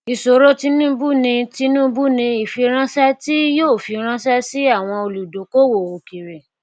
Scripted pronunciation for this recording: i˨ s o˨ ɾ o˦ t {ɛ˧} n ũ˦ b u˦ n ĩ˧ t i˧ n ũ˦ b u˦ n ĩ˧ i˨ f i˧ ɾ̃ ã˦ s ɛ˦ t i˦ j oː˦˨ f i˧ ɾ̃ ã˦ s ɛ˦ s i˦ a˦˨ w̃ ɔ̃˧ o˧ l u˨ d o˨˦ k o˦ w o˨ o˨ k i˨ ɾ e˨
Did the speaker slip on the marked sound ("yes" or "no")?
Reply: yes